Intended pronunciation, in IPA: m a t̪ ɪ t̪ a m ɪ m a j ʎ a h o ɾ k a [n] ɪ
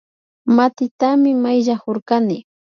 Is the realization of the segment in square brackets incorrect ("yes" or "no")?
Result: no